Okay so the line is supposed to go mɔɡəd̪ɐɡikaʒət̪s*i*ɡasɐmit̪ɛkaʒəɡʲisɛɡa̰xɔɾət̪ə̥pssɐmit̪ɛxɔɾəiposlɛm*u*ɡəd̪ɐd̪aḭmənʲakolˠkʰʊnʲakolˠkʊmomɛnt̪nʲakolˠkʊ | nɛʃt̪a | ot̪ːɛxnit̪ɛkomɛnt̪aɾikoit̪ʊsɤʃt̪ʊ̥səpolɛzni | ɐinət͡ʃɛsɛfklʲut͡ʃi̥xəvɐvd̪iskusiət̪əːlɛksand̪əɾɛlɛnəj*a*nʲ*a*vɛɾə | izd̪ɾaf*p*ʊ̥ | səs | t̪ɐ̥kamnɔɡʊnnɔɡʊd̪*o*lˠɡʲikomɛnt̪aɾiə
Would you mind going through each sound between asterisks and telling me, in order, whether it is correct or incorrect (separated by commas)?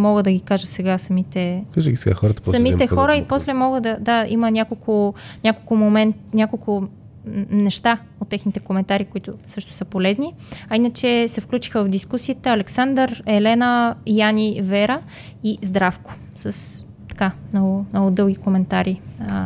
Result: incorrect, incorrect, correct, incorrect, incorrect, incorrect